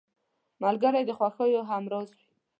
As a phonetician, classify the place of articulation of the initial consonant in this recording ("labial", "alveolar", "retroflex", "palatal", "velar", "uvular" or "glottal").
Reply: labial